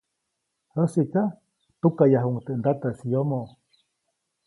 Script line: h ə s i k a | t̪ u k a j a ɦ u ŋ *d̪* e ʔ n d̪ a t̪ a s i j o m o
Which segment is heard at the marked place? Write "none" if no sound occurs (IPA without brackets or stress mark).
t̪